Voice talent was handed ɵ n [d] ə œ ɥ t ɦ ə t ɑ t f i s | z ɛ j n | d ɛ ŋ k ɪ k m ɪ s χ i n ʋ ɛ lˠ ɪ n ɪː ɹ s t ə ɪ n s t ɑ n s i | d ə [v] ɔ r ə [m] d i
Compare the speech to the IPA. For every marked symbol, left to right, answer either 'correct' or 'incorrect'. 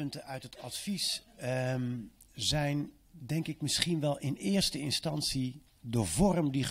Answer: incorrect: t, correct, correct

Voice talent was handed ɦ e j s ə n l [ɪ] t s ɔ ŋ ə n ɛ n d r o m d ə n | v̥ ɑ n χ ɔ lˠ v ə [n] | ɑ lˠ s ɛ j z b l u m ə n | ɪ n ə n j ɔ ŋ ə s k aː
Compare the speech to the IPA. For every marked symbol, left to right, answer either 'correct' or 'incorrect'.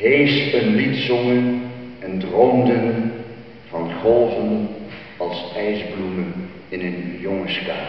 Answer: incorrect: i, correct

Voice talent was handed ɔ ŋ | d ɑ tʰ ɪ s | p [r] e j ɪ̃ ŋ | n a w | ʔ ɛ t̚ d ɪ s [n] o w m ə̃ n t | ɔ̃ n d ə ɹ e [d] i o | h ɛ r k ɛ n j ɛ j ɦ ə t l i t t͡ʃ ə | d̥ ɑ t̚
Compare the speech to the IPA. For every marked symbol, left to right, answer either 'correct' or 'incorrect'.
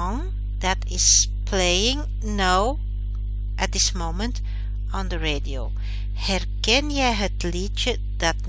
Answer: incorrect: l, incorrect: m, correct

